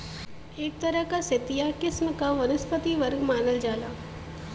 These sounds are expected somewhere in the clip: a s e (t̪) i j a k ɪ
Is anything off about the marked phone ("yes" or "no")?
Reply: no